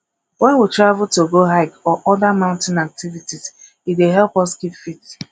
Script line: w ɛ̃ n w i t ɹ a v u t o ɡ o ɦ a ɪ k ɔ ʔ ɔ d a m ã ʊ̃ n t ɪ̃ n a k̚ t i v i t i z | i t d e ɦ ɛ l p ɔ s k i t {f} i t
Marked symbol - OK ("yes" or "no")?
yes